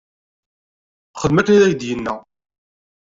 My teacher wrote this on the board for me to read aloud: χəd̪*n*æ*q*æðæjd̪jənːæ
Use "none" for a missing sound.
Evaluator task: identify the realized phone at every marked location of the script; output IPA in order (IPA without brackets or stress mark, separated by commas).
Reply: m, k